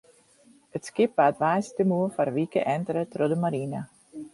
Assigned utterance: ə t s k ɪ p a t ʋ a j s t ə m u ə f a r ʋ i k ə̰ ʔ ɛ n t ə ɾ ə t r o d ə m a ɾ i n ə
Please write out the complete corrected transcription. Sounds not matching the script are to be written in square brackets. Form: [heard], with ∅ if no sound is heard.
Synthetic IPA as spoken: ə t s k ɪ p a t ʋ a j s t ə m u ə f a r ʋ i k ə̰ ʔ ɛ n t ə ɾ ə t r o d ə m a ɾ i n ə

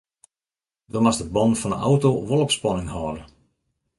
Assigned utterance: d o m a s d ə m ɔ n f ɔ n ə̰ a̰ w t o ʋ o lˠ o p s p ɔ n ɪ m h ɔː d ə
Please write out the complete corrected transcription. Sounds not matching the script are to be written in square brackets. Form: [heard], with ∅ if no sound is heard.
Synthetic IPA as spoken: d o m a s d ə [b] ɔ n f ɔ n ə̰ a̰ w t o ʋ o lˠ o p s p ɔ n ɪ [ŋ] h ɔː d ə

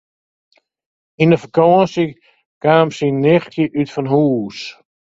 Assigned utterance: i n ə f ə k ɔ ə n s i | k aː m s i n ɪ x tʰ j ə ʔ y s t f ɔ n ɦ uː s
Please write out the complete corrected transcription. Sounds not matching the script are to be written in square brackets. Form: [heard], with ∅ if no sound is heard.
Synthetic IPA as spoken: i n ə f ə k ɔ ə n s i | k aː m s i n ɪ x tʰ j ə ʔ y [∅] t f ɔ n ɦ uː s

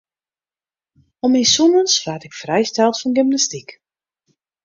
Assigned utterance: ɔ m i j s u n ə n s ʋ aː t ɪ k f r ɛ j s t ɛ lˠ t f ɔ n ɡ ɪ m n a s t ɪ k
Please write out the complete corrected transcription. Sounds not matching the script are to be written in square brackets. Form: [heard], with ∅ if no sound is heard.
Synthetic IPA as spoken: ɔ m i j s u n ə n s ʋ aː t ɪ k f r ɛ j s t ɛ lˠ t f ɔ n ɡ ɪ m n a s t [i] k

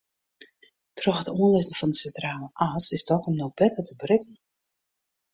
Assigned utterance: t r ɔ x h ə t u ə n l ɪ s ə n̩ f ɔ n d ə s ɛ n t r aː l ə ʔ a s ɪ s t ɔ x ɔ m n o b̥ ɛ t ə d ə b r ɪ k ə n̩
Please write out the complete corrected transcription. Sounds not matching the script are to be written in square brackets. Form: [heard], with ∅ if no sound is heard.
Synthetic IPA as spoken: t r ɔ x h ə t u ə n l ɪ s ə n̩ f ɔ n d ə s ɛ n t r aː l ə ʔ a s ɪ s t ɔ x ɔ m n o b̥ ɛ t ə [t] ə b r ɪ k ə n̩

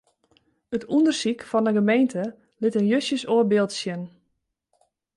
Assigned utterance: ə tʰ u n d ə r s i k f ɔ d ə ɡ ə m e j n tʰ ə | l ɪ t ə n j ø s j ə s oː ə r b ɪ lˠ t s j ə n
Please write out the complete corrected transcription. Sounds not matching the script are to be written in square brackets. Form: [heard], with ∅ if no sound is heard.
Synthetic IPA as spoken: ə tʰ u n d ə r s i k f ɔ [n] ə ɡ ə m e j n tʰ ə | l ɪ t ə n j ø s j ə s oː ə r b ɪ lˠ t s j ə n

